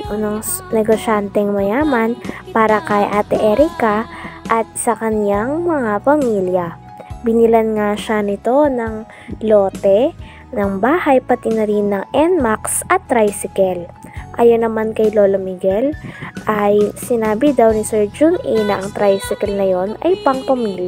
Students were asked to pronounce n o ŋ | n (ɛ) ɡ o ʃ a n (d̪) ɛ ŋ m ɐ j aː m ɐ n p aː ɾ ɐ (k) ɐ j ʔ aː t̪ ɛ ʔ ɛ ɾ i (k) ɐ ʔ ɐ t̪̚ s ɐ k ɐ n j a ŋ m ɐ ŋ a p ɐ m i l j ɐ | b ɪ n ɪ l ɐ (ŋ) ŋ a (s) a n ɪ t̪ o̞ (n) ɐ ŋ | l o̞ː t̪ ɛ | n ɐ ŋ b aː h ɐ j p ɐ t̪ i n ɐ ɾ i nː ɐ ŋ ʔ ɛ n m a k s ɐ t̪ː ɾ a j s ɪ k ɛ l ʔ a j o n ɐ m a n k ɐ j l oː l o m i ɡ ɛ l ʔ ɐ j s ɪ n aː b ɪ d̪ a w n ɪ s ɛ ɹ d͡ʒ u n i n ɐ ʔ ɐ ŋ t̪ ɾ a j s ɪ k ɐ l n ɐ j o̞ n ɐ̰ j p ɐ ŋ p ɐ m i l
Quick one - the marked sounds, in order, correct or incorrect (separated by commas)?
correct, incorrect, correct, correct, incorrect, incorrect, correct